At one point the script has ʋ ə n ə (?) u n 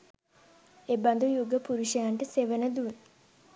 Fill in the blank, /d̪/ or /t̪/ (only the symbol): d̪